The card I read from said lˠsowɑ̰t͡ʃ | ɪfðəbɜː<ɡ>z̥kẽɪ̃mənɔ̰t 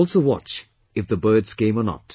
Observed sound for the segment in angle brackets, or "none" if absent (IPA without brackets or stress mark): d